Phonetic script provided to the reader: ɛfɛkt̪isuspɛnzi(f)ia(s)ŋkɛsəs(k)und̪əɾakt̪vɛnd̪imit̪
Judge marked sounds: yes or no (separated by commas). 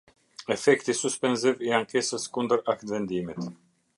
no, no, yes